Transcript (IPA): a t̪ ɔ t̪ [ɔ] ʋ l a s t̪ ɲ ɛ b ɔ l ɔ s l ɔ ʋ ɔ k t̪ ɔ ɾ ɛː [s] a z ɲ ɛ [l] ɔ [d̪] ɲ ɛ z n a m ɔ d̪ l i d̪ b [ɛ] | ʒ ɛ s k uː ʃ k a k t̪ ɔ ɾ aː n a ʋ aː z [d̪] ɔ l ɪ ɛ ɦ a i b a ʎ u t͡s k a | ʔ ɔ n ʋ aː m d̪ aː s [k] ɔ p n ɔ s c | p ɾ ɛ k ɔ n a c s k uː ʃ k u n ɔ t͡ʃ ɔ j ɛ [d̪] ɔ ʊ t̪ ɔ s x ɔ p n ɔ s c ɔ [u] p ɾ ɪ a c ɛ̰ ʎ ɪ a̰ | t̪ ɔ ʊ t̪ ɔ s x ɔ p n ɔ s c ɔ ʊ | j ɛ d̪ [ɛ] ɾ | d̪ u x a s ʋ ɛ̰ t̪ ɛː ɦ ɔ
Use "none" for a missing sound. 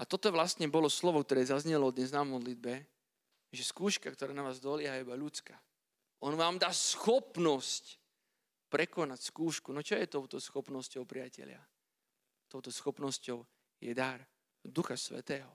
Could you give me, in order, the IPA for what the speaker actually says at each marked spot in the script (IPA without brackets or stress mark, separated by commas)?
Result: ɔ, z, l, d̪, ɛ, d̪, x, t̪, ʊ, a